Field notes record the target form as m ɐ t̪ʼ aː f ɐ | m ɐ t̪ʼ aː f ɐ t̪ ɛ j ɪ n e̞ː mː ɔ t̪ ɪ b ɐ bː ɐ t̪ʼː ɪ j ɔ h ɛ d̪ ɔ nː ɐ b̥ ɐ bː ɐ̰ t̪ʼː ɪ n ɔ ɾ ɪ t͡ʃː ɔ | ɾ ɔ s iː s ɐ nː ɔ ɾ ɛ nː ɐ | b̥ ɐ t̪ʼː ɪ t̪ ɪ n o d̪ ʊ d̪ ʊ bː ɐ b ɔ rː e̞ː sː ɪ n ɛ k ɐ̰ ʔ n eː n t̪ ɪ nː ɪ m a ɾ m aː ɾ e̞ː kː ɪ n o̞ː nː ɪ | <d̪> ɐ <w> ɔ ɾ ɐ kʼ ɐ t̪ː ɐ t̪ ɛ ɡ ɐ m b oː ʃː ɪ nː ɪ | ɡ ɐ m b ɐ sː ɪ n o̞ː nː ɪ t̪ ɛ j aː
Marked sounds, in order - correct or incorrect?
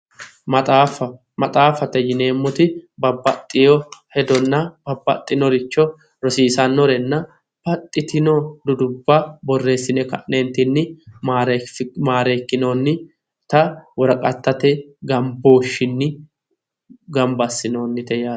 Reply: incorrect, correct

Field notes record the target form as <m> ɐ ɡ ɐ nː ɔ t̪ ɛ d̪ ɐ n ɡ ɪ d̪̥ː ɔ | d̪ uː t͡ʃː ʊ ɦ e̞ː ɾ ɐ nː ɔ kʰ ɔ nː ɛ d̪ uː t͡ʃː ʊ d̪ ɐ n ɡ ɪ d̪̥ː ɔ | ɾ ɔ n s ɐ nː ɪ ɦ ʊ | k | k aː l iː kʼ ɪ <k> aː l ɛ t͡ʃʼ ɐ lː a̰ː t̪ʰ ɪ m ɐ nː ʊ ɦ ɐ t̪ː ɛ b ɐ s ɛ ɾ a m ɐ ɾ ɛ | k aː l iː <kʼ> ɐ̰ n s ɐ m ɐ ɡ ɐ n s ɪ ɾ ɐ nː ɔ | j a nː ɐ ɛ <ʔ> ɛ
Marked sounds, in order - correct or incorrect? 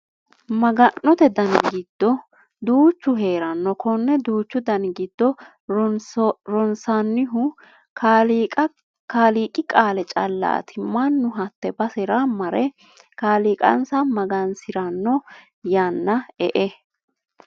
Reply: correct, incorrect, correct, correct

